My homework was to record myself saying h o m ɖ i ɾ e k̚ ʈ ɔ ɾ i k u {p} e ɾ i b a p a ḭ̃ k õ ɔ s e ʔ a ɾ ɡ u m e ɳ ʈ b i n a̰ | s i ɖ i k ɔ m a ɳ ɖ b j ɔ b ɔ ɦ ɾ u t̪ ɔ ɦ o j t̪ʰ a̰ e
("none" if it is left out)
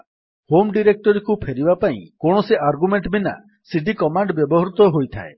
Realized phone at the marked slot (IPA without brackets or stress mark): pʰ